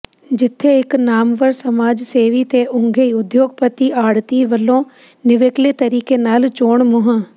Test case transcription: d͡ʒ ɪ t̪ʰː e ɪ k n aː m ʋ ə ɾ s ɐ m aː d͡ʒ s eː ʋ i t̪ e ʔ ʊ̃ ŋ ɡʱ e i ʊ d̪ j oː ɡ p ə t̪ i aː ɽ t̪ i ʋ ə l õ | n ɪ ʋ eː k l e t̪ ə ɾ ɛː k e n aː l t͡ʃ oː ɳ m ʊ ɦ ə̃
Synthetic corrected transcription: d͡ʒ ɪ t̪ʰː e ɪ k n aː m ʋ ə ɾ s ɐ m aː d͡ʒ s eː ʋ i t̪ e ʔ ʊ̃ ŋ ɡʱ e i ʊ d̪ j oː ɡ p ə t̪ i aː ɽ t̪ i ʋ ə l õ | n ɪ ʋ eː k l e t̪ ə ɾ iː k e n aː l t͡ʃ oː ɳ m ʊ ɦ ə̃